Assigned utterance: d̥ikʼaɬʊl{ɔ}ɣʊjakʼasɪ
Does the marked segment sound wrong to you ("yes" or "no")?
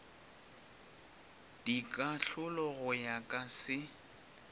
no